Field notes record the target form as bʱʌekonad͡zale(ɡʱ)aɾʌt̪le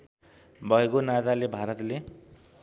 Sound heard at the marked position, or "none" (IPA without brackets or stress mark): bʱ